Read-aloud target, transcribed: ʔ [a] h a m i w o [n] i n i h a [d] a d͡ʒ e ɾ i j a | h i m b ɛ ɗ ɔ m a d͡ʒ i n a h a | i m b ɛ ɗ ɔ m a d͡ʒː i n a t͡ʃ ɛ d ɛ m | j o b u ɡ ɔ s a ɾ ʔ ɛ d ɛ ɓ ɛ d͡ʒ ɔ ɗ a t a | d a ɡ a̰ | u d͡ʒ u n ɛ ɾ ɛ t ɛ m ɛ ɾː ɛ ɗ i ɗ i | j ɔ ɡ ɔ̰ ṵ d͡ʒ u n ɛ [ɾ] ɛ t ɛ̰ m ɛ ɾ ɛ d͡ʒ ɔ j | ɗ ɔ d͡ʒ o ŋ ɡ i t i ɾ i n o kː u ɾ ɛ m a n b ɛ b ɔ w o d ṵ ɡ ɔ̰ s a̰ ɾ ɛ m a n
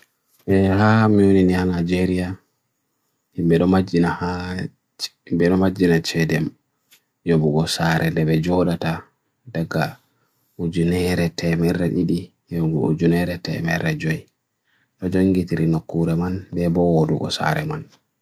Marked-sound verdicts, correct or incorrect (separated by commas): incorrect, correct, incorrect, correct